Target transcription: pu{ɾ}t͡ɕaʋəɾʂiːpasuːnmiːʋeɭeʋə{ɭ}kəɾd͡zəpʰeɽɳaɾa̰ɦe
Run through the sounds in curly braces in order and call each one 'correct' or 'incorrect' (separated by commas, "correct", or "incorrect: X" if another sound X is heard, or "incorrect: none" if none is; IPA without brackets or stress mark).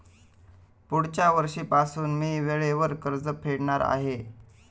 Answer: incorrect: ɽ, incorrect: ɾ